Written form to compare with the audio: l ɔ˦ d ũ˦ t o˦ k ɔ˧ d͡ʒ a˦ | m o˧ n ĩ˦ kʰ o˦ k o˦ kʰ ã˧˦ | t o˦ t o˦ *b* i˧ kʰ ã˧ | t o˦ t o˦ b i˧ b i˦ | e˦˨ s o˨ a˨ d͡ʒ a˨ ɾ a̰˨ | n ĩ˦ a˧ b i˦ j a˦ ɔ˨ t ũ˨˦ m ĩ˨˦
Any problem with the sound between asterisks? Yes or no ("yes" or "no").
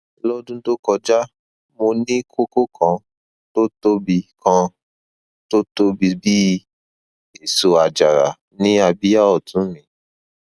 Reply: no